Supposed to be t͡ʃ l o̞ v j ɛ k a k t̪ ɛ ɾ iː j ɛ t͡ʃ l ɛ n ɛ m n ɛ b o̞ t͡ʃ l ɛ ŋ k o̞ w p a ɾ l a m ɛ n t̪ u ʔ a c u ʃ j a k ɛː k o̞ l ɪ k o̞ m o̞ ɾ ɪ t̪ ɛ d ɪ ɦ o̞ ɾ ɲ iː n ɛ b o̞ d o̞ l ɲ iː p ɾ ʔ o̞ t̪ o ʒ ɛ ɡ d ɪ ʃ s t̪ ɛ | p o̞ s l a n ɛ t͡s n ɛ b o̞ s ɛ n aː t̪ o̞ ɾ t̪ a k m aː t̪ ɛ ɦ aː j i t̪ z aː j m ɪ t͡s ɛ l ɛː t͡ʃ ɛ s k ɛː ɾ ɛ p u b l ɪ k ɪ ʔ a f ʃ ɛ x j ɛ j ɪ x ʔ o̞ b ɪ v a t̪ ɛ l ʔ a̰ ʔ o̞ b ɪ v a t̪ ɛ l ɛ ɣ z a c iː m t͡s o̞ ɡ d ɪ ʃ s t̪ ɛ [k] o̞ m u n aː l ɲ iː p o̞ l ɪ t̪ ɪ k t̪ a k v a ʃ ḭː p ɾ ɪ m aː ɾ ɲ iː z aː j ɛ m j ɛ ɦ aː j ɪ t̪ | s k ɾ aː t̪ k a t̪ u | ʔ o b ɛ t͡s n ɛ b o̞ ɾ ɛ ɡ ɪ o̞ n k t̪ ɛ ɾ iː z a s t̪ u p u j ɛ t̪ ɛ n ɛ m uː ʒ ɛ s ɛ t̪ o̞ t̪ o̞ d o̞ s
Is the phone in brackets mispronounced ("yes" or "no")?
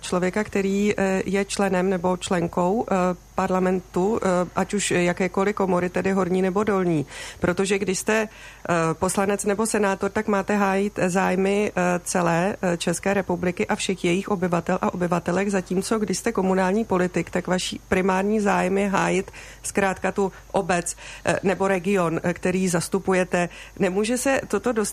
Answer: no